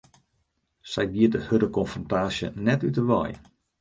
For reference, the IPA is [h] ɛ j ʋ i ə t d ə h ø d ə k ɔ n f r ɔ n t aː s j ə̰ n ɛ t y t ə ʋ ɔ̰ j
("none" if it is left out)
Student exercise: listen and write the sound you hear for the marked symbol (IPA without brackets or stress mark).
s